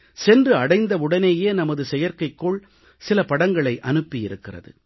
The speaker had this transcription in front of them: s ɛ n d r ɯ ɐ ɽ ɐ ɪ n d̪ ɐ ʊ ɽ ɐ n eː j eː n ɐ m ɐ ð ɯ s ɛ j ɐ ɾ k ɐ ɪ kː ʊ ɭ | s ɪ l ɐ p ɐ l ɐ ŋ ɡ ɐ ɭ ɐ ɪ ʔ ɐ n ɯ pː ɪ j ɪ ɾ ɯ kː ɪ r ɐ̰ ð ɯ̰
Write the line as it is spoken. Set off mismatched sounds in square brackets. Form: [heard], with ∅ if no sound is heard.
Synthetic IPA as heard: s ɛ n d r ɯ ɐ ɽ ɐ ɪ n d̪ ɐ ʊ ɽ ɐ n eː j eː n ɐ m ɐ ð ɯ s ɛ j ɐ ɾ k ɐ ɪ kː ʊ ɭ | s ɪ l ɐ p ɐ [ɽ] ɐ ŋ ɡ ɐ ɭ ɐ ɪ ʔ ɐ n ɯ pː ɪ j ɪ ɾ ɯ kː ɪ r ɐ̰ ð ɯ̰

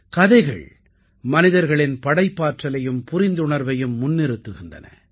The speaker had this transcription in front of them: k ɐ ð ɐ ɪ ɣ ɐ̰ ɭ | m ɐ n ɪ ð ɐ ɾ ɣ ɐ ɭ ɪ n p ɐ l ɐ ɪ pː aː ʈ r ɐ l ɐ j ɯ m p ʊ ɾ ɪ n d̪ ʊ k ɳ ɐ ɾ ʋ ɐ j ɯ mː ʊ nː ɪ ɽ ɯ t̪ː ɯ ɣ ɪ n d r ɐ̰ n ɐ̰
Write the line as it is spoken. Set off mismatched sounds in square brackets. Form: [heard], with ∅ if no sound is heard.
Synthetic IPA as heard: k ɐ ð ɐ ɪ ɣ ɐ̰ ɭ | m ɐ n ɪ ð ɐ ɾ ɣ ɐ ɭ ɪ n p ɐ [ɽ] ɐ ɪ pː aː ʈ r ɐ l ɐ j ɯ m p ʊ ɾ ɪ n d̪ ʊ [∅] ɳ ɐ ɾ ʋ ɐ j ɯ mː ʊ nː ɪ [ɾ] ɯ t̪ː ɯ ɣ ɪ n d r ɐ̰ n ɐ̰

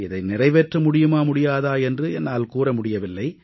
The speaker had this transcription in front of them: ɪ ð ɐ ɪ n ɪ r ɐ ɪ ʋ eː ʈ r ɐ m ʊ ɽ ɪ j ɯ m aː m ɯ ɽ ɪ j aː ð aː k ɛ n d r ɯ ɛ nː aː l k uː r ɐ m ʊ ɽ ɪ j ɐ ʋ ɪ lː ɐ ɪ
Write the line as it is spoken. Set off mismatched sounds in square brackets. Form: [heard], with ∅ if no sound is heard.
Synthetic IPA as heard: ɪ ð ɐ ɪ n ɪ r ɐ ɪ ʋ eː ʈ r ɐ m ʊ ɽ ɪ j ɯ m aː m [ʊ] ɽ ɪ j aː ð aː [∅] ɛ n d r ɯ ɛ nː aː l k uː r ɐ m ʊ ɽ ɪ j ɐ ʋ ɪ lː ɐ ɪ

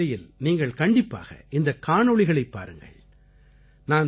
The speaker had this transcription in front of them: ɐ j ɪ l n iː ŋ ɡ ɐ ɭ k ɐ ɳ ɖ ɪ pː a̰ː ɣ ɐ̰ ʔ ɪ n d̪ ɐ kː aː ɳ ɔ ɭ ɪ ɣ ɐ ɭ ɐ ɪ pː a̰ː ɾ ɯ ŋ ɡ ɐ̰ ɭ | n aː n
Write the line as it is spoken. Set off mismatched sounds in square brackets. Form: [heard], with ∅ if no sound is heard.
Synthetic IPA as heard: ɐ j ɪ l n iː ŋ ɡ ɐ ɭ k ɐ ɳ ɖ ɪ pː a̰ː ɣ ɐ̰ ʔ ɪ n d̪ ɐ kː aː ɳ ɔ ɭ ɪ ɣ ɐ ɭ ɐ ɪ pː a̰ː ɾ ɯ ŋ ɡ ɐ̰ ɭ | n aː n

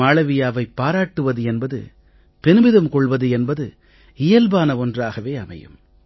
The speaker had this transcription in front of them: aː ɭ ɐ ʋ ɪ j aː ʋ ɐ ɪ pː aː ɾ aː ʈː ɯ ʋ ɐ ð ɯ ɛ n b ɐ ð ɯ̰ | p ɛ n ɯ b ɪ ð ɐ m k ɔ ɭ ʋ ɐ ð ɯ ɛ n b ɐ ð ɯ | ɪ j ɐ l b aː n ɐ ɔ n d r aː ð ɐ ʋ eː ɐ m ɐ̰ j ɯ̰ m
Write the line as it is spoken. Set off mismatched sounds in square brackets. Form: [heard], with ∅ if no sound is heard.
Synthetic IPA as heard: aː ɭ ɐ ʋ ɪ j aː ʋ ɐ ɪ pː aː ɾ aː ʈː ɯ ʋ ɐ ð ɯ ɛ n b ɐ ð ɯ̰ | p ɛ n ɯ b ɪ ð ɐ m k ɔ ɭ ʋ ɐ ð ɯ ɛ n b ɐ ð ɯ | ɪ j ɐ l b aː n ɐ ɔ n d r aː [ɣ] ɐ ʋ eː ɐ m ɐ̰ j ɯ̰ m

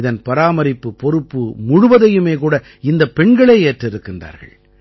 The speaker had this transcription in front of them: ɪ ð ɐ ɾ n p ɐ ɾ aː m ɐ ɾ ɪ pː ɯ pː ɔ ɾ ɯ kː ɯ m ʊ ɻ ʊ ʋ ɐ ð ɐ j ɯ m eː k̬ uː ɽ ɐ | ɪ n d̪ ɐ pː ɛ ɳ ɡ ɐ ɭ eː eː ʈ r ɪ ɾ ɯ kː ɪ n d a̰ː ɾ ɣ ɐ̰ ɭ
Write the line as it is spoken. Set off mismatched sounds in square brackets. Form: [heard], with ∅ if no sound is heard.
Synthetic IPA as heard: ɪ ð ɐ [∅] n p ɐ ɾ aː m ɐ ɾ ɪ pː ɯ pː ɔ ɾ ɯ [pː] ɯ m ʊ ɻ ʊ ʋ ɐ ð ɐ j ɯ m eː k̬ uː ɽ ɐ | ɪ n d̪ ɐ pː ɛ ɳ ɡ ɐ ɭ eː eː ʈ r ɪ ɾ ɯ kː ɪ n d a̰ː ɾ ɣ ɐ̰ ɭ

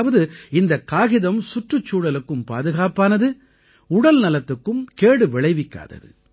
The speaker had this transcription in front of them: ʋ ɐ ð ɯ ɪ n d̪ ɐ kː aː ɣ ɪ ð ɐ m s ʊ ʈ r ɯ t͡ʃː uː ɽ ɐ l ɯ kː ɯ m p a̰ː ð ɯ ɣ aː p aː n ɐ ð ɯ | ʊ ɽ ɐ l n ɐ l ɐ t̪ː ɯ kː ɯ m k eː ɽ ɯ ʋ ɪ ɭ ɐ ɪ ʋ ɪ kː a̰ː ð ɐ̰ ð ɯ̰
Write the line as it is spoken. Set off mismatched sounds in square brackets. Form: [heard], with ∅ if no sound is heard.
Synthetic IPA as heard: ʋ ɐ ð ɯ ɪ n d̪ ɐ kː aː ɣ ɪ ð ɐ m s ʊ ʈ r ɯ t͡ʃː uː ɽ ɐ l ɯ kː ɯ m p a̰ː ð ɯ ɣ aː p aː n ɐ ð ɯ | ʊ ɽ ɐ l n ɐ l ɐ t̪ː ɯ kː ɯ m k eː ɽ ɯ ʋ ɪ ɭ ɐ ɪ ʋ ɪ kː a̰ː ð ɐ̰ ð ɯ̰

